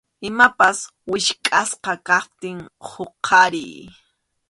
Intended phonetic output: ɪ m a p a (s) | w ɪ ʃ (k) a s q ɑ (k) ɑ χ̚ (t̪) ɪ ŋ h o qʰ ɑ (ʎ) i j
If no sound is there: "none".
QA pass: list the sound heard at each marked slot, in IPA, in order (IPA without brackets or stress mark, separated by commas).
s, kʼ, k, t̪, ɾ